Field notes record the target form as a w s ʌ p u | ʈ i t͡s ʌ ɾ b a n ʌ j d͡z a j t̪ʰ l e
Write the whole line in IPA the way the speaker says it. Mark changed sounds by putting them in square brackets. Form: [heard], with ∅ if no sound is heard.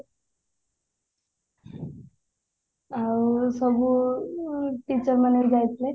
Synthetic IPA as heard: a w s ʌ [b] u | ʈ i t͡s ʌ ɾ [m] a n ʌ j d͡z a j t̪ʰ l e